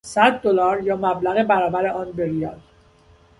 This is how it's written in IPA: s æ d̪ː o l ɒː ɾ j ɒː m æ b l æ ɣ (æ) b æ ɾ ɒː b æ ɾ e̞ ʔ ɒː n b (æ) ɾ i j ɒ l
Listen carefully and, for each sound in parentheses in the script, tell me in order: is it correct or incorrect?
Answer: incorrect, incorrect

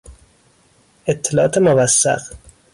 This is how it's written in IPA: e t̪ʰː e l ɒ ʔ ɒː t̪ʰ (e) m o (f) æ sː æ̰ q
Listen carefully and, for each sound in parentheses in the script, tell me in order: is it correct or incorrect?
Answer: correct, incorrect

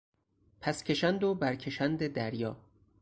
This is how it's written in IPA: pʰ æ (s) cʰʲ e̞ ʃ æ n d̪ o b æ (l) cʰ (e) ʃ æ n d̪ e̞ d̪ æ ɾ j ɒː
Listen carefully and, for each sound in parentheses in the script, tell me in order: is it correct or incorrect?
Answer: correct, incorrect, correct

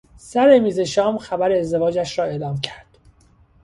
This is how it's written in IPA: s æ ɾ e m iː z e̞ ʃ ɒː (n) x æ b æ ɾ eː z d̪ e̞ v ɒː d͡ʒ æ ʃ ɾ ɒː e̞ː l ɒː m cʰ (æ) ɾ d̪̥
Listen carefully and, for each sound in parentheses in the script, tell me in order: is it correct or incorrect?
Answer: incorrect, correct

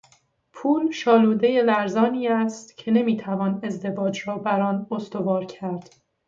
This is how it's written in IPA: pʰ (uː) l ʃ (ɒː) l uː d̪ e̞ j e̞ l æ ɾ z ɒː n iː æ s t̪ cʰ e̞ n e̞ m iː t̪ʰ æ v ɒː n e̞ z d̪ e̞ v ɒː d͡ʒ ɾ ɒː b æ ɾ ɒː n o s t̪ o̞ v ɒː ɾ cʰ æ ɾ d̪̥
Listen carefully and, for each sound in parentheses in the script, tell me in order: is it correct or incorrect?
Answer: correct, correct

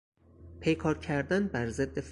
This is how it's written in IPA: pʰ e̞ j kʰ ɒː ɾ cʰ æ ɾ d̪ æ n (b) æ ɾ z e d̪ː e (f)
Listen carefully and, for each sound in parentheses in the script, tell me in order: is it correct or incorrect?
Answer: correct, correct

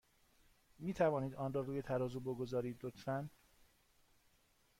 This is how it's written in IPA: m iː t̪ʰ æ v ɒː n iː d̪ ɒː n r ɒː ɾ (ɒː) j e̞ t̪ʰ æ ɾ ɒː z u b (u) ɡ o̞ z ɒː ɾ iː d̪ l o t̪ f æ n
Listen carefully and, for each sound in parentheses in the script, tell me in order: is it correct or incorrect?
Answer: incorrect, incorrect

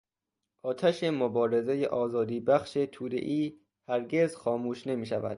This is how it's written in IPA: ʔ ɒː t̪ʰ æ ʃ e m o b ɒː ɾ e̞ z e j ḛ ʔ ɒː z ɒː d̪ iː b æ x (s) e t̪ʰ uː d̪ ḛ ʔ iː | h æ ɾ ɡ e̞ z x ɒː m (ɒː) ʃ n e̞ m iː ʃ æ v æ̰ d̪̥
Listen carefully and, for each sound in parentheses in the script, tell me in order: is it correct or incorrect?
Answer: incorrect, incorrect

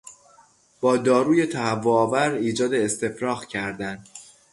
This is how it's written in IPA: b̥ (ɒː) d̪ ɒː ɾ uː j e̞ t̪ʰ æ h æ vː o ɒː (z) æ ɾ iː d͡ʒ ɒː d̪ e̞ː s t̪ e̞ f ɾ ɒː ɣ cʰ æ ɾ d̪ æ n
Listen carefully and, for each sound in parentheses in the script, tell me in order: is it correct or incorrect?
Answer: correct, incorrect

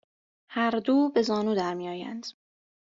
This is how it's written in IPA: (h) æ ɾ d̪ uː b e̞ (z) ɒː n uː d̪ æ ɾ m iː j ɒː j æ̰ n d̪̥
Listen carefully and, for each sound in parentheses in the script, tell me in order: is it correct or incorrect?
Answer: correct, correct

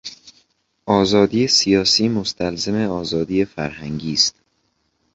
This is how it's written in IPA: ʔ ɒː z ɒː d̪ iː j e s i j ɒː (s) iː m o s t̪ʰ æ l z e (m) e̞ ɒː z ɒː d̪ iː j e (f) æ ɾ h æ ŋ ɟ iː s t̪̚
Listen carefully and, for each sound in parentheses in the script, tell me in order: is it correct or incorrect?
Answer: correct, correct, correct

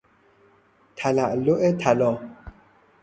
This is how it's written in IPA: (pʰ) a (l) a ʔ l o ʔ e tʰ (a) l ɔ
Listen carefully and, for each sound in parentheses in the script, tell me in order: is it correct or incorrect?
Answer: incorrect, correct, correct

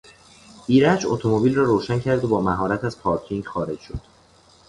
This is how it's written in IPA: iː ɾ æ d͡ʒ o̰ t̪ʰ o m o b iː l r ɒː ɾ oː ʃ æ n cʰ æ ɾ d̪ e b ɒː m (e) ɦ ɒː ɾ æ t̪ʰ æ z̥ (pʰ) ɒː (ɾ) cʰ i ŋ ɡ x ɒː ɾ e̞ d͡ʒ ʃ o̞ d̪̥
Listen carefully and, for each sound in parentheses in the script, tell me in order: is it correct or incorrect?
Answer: incorrect, correct, correct

